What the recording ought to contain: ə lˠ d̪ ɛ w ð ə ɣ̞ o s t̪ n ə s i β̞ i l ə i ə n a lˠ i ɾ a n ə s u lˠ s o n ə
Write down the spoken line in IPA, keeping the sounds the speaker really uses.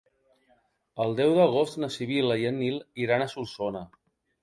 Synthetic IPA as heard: ə lˠ d̪ ɛ w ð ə ɣ̞ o s t̪ n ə s i β̞ i l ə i ə n i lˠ i ɾ a n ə s u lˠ s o n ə

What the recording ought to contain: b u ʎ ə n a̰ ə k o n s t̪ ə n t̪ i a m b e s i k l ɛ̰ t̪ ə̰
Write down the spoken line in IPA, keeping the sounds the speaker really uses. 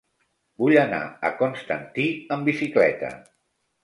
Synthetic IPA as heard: b u ʎ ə n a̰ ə k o n s t̪ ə n t̪ i ə m b i s i k l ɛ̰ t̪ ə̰

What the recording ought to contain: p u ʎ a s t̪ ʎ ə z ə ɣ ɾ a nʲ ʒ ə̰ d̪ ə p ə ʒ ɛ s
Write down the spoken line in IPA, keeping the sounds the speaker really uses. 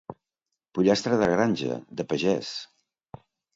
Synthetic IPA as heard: p u ʎ a s t̪ ɾ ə ð ə ɣ ɾ a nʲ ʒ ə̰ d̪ ə p ə ʒ ɛ s

